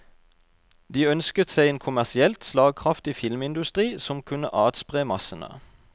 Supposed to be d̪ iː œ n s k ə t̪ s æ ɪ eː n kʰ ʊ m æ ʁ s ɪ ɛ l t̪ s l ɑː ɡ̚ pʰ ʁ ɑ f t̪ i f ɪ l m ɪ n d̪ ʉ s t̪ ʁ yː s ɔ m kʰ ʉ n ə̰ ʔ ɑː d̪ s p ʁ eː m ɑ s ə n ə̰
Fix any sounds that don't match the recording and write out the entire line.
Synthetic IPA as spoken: d̪ iː œ n s k ə t̪ s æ ɪ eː n kʰ ʊ m æ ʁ s ɪ ɛ l t̪ s l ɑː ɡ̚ kʰ ʁ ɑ f t̪ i f ɪ l m ɪ n d̪ ʉ s t̪ ʁ iː s ɔ m kʰ ʉ n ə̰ ʔ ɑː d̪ s p ʁ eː m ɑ s ə n ə̰

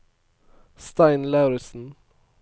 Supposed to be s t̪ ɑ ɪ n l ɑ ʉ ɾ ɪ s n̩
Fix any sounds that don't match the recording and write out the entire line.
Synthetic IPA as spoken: s t̪ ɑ ɪ n l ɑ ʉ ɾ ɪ s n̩

